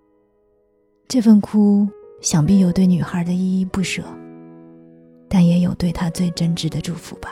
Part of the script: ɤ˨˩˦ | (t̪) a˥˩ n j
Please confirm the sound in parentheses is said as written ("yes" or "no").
yes